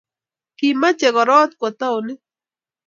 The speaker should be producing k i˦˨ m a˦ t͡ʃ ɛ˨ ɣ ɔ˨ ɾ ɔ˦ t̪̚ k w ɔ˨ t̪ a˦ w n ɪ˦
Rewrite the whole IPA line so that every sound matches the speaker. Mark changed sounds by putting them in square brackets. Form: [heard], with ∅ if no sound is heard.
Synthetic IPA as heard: k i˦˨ m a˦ t͡ʃ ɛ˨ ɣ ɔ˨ ɾ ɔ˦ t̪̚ k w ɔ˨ t̪ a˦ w n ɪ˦